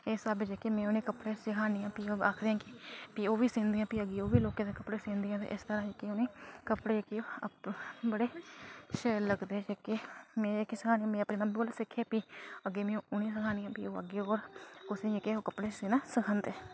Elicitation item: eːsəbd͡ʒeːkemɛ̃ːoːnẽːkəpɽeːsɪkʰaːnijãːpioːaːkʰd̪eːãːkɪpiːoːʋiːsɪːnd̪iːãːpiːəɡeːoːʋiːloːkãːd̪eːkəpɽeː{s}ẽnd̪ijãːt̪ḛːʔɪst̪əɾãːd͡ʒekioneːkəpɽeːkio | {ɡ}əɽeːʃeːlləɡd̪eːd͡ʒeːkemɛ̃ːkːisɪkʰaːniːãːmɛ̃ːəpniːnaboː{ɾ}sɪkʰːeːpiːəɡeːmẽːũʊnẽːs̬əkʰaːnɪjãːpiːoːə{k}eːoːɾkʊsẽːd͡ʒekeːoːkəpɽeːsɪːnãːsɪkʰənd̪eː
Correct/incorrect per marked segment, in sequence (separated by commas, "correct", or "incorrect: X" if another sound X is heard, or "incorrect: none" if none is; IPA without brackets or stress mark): correct, incorrect: b, incorrect: l, incorrect: ɡ